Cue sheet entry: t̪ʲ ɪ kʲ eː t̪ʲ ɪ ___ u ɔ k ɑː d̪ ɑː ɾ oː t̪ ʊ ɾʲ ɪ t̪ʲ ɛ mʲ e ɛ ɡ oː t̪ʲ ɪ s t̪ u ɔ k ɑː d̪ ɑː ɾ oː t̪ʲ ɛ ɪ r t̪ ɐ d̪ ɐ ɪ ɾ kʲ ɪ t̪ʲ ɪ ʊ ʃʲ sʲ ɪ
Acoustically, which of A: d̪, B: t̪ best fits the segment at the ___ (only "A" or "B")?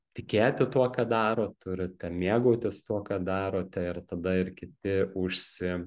B